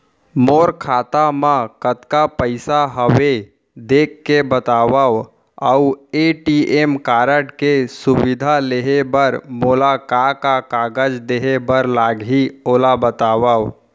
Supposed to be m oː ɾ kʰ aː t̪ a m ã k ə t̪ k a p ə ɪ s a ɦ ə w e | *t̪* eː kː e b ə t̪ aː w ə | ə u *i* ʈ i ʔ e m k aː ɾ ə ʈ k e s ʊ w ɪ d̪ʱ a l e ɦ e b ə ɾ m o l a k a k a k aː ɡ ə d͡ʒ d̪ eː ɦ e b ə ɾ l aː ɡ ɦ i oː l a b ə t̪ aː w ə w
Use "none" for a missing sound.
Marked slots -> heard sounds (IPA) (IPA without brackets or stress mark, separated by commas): d̪, e